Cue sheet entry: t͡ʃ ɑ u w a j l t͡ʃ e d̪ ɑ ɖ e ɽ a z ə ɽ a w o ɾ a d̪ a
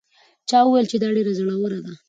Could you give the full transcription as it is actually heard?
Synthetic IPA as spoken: t͡ʃ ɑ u w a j l t͡ʃ e d̪ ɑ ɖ e ɾ a z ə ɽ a w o ɾ a d̪ a